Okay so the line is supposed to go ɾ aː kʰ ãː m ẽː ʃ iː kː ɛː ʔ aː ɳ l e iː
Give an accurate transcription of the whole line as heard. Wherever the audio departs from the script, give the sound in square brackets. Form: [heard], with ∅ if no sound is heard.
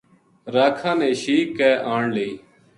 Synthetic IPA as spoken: ɾ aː kʰ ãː [n] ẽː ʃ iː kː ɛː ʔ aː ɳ l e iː